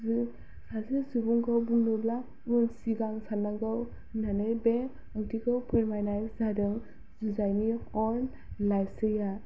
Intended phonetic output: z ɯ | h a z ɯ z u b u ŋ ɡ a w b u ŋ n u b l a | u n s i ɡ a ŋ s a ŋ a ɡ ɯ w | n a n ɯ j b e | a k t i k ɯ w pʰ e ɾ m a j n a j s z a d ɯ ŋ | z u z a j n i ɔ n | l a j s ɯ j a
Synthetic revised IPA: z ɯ | s a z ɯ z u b u ŋ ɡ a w b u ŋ n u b l a | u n s i ɡ a ŋ s a n a ɡ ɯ w | n a n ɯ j b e | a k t i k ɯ w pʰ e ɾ m a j n a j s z a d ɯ ŋ | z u z a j n i ɔ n | l a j s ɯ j a